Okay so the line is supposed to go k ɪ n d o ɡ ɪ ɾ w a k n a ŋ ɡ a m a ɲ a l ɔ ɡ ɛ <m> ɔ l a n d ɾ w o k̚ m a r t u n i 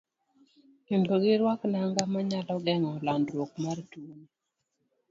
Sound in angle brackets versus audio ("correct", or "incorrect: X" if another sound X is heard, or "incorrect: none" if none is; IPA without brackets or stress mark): incorrect: ŋ